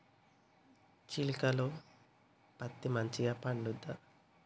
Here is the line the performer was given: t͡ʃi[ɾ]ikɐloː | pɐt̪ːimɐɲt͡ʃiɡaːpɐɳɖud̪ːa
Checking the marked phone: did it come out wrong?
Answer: yes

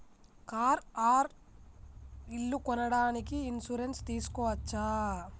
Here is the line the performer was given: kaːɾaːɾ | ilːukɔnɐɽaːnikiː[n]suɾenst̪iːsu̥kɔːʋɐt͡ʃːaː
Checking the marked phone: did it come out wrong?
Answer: no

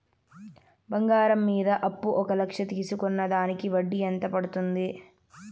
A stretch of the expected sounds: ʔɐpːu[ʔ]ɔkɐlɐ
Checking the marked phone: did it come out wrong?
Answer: no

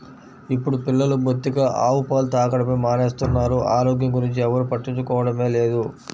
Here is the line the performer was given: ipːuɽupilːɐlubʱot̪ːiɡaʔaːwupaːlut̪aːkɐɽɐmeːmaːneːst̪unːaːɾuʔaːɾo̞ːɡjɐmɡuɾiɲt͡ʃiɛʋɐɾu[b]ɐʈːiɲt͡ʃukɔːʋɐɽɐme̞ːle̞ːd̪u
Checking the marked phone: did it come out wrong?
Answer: yes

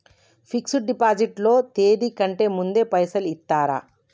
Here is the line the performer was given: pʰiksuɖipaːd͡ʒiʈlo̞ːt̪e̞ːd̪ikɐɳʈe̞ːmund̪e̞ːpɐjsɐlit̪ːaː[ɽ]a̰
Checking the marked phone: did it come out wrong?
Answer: yes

